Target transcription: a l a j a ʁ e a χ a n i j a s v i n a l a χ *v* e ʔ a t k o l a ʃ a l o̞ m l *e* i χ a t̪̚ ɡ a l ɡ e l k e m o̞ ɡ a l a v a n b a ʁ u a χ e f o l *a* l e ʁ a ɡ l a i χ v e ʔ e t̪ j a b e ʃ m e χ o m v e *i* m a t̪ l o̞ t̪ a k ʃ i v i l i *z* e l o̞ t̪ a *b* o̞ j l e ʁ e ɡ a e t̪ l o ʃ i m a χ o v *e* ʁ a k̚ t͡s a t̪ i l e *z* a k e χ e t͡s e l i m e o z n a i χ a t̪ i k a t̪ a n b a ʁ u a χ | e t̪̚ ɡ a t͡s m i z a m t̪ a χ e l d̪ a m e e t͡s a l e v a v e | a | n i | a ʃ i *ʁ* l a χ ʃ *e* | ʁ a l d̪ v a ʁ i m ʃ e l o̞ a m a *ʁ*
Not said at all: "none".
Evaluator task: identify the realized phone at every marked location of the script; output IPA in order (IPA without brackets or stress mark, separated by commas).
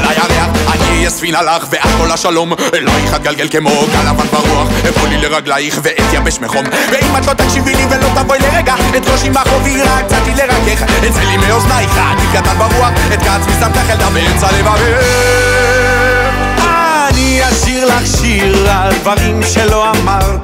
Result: v, a, i, i, v, v, i, ʁ, ʁ, i, ʁ